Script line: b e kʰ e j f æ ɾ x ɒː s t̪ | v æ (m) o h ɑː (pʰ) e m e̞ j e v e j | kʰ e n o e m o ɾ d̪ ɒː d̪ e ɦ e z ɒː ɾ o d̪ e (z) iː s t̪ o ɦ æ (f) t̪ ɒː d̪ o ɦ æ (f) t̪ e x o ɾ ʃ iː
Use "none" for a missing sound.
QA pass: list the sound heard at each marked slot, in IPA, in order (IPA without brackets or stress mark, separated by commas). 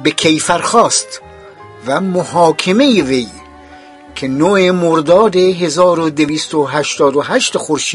m, kʰ, v, ʃ, ʃ